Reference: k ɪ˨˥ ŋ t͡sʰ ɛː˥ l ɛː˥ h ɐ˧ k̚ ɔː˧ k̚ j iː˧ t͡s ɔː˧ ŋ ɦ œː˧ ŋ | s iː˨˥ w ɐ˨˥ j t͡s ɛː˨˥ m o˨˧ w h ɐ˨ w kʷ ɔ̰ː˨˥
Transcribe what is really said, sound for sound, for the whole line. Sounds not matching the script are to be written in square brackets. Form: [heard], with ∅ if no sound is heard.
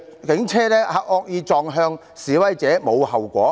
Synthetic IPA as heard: k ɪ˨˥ ŋ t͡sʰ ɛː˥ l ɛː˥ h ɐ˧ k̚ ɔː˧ k̚ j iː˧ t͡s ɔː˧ ŋ ɦ œː˧ ŋ | s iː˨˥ w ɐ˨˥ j t͡s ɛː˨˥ m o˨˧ w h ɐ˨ w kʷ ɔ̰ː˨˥